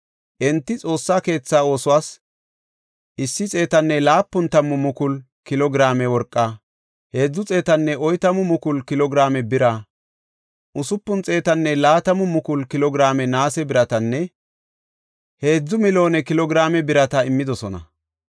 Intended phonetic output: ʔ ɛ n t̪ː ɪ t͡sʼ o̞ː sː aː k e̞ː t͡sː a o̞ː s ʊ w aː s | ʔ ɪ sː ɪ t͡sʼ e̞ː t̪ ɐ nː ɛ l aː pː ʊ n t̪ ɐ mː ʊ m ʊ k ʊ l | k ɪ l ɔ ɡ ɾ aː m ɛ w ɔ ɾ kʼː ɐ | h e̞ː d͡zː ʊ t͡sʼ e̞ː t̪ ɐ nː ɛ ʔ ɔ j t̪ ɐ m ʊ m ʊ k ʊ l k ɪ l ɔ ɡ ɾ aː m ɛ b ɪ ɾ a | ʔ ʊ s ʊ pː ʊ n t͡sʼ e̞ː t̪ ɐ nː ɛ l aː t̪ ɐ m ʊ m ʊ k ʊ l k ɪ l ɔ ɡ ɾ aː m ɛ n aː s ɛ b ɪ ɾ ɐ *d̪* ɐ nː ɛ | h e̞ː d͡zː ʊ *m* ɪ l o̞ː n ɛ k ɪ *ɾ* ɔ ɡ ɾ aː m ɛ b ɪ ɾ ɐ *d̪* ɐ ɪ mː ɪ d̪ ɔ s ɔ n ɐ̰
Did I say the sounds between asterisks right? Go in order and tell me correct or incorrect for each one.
incorrect, correct, incorrect, incorrect

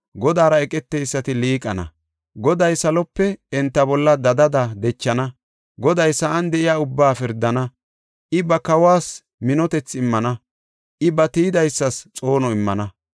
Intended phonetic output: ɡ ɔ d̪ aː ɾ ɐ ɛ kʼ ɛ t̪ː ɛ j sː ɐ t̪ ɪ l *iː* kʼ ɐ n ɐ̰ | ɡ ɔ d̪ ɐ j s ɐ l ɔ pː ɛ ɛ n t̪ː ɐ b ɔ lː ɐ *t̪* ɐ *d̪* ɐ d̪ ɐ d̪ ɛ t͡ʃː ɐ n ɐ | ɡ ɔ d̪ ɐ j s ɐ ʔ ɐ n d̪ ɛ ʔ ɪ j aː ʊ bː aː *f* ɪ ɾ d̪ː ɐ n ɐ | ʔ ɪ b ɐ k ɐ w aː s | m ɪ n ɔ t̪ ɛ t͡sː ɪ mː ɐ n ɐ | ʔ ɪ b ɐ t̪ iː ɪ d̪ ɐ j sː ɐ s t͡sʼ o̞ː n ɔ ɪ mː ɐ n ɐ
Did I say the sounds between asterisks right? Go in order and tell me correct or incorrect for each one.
correct, incorrect, correct, correct

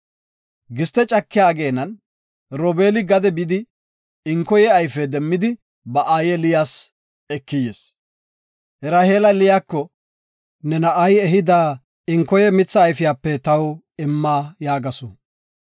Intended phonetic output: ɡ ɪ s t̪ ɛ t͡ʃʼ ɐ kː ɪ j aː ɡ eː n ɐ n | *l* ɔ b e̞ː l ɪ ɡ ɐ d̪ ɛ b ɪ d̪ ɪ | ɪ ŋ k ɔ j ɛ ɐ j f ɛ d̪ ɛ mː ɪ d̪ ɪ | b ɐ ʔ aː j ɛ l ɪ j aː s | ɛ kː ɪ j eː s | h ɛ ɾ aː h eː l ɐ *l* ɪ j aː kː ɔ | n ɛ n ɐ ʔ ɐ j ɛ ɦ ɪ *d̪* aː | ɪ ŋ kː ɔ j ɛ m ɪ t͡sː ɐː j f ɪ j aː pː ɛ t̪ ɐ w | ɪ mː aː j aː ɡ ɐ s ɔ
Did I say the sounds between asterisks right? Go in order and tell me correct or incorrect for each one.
incorrect, correct, correct

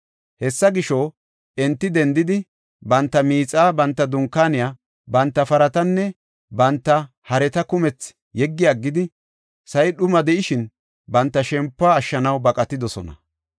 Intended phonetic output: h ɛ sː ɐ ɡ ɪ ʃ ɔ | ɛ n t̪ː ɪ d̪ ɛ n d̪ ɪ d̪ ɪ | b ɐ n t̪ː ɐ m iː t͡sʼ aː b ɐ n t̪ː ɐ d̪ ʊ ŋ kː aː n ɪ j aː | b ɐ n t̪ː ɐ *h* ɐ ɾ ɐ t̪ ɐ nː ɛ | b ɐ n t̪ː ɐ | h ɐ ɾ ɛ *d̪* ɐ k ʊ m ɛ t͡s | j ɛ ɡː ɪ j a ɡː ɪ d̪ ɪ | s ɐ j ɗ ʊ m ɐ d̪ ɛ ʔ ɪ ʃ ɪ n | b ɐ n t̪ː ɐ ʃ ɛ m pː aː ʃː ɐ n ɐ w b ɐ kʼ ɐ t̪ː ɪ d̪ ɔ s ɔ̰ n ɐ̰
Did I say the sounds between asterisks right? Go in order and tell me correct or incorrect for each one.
incorrect, incorrect

